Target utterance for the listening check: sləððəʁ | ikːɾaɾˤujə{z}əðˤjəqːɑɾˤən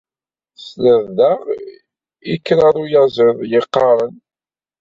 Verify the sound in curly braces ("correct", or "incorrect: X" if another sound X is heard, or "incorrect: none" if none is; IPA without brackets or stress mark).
correct